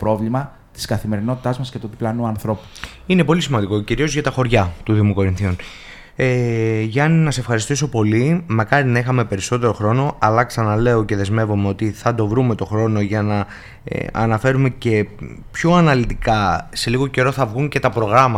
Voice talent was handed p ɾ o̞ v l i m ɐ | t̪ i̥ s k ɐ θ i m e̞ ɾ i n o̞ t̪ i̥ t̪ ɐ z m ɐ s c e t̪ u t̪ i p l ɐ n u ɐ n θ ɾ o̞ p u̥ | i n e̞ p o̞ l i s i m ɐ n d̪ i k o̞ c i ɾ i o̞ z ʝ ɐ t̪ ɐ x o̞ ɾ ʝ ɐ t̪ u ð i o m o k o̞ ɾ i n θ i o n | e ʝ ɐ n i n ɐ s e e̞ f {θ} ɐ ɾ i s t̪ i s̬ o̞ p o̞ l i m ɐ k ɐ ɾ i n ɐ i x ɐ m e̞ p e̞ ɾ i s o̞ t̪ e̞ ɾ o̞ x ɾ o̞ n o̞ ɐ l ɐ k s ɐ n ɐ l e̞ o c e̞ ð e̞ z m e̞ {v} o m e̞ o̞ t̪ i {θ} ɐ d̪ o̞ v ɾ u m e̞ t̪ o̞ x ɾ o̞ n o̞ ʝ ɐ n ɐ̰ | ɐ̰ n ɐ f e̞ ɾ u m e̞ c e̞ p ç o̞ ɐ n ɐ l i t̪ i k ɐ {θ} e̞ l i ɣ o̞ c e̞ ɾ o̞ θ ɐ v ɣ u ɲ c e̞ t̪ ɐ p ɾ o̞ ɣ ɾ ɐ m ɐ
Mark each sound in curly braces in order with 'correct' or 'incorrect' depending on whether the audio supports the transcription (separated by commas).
incorrect, correct, correct, incorrect